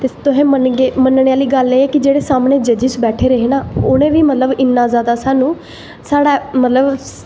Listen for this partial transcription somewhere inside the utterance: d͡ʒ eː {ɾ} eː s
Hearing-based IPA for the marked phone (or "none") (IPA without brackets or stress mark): ɽ